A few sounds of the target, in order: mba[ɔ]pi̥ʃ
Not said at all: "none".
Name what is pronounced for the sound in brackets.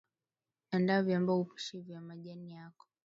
u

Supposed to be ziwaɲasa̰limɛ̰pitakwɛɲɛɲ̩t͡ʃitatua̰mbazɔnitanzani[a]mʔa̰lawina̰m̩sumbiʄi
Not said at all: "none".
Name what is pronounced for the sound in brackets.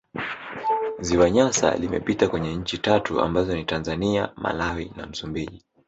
a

